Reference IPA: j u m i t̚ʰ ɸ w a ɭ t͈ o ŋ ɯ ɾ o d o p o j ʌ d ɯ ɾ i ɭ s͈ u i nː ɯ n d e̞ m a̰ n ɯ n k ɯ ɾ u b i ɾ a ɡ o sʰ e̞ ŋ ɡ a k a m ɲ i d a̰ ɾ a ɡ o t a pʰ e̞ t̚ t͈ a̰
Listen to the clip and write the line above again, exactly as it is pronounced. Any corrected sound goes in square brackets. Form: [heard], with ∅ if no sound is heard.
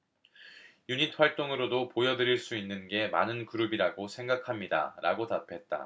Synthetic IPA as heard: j u [ɲ] i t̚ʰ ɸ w a ɭ t͈ o ŋ ɯ ɾ o d o p o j ʌ d ɯ ɾ i ɭ s͈ u i nː ɯ n [ɡ] e̞ m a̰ n ɯ n k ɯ ɾ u b i ɾ a ɡ o sʰ e̞ ŋ ɡ a [kʰ] a m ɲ i d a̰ ɾ a ɡ o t a pʰ e̞ t̚ t͈ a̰